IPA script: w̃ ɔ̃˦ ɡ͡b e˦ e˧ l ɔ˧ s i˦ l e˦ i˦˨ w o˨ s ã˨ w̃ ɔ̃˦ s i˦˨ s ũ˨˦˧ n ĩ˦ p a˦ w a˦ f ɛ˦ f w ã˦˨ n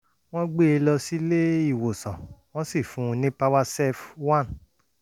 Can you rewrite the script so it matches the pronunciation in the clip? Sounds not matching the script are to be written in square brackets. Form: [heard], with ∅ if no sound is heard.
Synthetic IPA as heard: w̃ ɔ̃˦ ɡ͡b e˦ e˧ l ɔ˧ s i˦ l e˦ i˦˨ w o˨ s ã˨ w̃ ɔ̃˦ s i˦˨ [f] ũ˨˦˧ n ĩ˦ p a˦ w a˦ [s] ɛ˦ f w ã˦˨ n